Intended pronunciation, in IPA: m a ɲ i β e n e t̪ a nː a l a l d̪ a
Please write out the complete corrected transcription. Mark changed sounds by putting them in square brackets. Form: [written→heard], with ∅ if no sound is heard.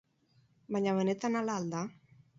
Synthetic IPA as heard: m a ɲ [i→a] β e n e t̪ a [nː→n] a l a l d̪ a